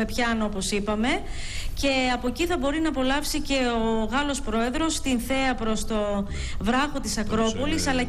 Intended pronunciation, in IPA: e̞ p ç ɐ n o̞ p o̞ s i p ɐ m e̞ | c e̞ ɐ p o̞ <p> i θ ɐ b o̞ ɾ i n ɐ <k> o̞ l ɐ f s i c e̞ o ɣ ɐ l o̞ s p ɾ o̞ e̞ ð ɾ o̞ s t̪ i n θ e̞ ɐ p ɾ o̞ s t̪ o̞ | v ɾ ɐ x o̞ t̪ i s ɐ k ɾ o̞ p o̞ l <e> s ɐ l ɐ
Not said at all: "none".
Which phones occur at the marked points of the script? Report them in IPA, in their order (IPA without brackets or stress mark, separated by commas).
c, p, i